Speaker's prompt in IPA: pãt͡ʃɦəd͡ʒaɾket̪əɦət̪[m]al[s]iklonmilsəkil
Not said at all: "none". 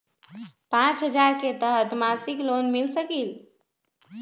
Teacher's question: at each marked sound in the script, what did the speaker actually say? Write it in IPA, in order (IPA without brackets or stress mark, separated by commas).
m, s